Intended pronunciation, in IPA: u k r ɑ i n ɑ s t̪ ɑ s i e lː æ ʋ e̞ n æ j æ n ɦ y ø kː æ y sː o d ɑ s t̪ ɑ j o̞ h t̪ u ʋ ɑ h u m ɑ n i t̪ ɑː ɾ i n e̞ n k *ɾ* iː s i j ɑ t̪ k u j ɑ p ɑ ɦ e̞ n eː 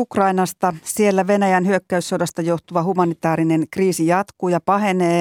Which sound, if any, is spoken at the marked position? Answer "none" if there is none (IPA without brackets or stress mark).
r